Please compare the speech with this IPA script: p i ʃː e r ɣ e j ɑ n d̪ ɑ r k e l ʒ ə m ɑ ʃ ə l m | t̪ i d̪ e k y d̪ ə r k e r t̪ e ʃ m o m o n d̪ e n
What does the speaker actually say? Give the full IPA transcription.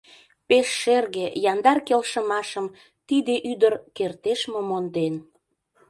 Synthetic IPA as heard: p e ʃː e r ɣ e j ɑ n d̪ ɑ r k e l ʃ ə m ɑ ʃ ə m | t̪ i d̪ e ʔ y d̪ ə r k e r t̪ e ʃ m o m o n d̪ e n